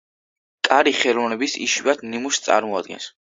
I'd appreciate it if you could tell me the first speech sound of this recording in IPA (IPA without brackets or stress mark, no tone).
kʼ